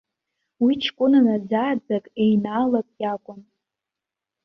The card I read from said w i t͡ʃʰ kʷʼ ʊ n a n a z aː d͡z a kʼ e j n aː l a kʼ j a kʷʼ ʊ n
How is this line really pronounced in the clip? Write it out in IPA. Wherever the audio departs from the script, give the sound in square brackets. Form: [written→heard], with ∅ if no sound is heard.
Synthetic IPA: w i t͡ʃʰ kʷʼ ʊ n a n a [z→d͡z] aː d͡z a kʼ e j n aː l a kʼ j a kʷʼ ʊ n